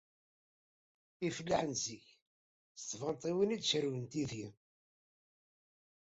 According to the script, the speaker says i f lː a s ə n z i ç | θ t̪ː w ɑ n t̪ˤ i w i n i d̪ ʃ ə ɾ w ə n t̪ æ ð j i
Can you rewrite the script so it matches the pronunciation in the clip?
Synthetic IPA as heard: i f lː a ħ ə n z i ç | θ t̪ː v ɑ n t̪ˤ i w i n i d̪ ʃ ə ɾ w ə n t̪ i ð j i